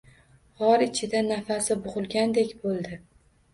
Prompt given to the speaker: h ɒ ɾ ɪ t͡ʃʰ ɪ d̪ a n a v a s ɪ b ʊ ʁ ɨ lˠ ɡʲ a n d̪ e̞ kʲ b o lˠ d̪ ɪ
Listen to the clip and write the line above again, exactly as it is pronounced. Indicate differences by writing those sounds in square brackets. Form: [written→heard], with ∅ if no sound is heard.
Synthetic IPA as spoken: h ɒ ɾ ɪ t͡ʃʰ ɪ d̪ a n a [v→f] a s ɪ b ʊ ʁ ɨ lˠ ɡʲ a n d̪ e̞ kʲ b o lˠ d̪ ɪ